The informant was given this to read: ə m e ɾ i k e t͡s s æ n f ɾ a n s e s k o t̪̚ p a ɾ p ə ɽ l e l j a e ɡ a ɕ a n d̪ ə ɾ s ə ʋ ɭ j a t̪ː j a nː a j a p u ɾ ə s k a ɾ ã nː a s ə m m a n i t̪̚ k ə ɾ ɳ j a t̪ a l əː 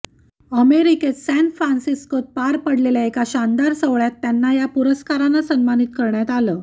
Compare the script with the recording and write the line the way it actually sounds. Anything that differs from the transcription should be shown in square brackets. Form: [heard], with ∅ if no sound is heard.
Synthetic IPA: ə m e ɾ i k e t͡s s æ n f ɾ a n s [i] s k o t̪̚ p a ɾ p ə ɽ l e l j a e [k] a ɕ a n d̪ [a] ɾ s ə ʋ ɭ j a t̪ː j a nː a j a p u ɾ ə s k a ɾ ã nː a s ə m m a n i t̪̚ k ə ɾ ɳ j a t̪ a l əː